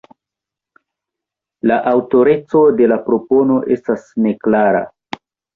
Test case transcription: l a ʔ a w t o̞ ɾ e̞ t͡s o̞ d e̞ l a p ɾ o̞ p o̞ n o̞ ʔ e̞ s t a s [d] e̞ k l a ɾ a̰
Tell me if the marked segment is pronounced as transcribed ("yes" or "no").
no